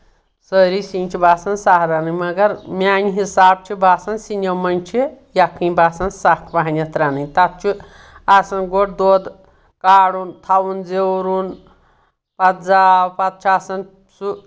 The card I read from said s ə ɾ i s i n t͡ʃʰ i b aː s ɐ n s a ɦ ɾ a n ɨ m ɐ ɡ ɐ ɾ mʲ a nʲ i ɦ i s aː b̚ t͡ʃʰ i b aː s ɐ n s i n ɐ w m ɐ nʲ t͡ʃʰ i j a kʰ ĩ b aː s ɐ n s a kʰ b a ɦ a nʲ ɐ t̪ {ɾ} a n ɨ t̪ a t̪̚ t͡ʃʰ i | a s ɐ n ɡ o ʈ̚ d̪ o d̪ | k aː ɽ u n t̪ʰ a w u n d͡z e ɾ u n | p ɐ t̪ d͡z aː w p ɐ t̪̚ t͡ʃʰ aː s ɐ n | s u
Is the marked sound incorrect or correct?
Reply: correct